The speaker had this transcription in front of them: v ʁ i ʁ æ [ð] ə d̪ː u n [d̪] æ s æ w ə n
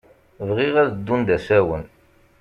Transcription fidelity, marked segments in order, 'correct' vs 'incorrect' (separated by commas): correct, correct